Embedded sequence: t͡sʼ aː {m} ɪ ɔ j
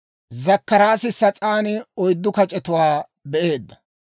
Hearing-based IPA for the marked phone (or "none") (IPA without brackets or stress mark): n